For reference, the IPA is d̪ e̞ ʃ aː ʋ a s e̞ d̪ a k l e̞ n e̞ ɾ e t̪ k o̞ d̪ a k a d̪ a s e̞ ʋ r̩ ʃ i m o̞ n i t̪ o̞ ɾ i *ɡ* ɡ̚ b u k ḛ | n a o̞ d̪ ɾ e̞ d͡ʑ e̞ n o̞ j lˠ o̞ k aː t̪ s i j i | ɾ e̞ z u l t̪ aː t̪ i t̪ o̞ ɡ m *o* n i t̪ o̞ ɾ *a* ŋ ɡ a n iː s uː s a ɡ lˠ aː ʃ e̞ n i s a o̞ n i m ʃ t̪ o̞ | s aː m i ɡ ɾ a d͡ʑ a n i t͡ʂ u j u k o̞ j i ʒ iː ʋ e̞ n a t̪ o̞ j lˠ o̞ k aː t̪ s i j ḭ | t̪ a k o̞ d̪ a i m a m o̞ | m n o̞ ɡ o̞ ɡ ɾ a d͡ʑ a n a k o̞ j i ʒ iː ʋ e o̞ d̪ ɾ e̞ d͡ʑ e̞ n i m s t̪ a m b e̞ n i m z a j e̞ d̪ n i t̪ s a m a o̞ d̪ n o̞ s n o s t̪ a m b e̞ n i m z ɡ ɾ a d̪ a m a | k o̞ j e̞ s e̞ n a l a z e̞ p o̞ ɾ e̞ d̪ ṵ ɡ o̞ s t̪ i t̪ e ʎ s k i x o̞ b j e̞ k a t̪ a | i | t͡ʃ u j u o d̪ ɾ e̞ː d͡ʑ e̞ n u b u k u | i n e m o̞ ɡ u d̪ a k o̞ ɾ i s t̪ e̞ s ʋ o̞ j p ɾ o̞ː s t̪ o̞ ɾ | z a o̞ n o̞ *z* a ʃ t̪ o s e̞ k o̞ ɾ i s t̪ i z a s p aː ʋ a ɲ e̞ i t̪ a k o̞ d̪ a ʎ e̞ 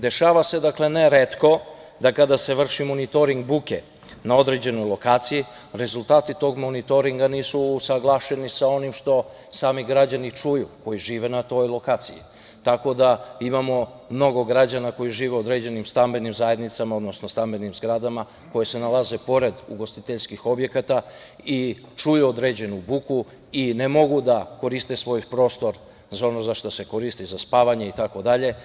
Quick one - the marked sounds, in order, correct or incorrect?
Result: incorrect: ŋ, correct, incorrect: i, correct

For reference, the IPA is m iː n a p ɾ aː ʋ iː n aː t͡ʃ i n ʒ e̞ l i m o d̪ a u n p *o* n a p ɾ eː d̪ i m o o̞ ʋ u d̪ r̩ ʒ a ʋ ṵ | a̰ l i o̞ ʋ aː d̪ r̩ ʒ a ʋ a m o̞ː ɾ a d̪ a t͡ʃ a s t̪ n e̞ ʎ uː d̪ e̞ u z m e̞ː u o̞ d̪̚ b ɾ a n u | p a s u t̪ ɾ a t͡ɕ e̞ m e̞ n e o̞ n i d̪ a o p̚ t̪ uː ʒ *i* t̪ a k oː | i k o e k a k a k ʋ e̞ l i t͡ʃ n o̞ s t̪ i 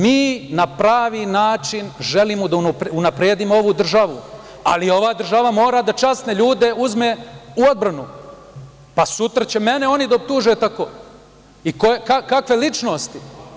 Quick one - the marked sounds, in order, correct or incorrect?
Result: incorrect: u, incorrect: e

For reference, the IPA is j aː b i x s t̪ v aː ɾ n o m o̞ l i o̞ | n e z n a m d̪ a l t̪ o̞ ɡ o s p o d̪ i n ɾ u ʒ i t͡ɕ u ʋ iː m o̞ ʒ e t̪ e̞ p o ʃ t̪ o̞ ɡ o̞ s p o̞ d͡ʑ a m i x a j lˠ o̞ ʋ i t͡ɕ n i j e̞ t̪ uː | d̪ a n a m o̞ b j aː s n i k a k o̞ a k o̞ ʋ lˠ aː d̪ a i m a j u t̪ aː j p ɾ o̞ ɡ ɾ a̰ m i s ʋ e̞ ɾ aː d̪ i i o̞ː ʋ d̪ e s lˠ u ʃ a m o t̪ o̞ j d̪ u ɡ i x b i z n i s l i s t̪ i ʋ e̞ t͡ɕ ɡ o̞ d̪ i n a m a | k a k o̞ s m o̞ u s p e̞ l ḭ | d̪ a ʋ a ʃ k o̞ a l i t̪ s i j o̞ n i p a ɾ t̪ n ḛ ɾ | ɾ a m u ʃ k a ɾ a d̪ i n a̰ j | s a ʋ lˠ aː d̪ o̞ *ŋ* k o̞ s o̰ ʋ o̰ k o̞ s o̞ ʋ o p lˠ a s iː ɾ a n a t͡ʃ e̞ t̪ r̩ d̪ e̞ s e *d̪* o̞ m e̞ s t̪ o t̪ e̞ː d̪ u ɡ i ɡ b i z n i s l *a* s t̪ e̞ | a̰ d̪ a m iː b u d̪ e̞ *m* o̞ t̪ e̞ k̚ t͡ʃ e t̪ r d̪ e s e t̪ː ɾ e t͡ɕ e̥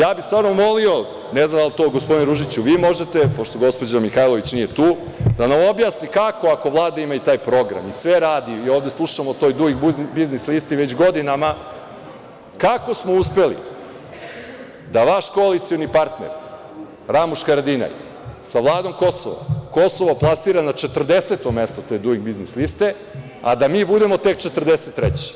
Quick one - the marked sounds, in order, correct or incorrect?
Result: incorrect: m, incorrect: t̪, incorrect: i, correct

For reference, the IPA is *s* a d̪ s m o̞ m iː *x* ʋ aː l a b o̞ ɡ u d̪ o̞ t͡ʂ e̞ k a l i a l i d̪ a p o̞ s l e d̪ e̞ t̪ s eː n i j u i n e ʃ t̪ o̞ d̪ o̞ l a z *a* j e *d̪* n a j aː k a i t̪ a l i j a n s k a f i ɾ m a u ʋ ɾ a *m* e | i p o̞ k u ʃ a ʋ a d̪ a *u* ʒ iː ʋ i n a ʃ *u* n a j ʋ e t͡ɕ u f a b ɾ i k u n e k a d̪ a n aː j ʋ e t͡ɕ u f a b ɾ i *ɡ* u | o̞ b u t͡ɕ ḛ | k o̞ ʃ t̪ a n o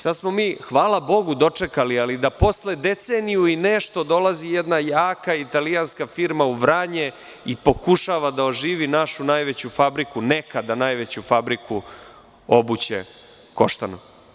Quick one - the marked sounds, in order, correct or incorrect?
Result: correct, correct, incorrect: i, correct, incorrect: ɲ, incorrect: o, correct, incorrect: k

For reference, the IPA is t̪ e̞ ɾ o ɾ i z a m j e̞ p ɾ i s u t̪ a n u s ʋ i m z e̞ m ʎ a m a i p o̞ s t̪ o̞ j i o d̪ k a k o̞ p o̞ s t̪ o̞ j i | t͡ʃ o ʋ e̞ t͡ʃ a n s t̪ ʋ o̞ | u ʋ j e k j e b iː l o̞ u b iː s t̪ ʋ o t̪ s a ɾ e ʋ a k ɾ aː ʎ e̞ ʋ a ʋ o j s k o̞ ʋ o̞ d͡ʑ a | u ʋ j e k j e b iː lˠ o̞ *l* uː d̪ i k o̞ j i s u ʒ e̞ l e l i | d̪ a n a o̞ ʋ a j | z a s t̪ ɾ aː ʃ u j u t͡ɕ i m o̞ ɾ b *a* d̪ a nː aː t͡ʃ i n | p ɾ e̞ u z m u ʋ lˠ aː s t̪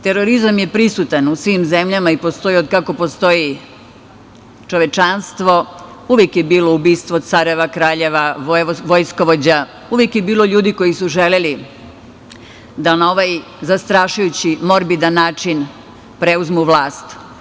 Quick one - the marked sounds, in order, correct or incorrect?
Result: incorrect: ʎ, incorrect: i

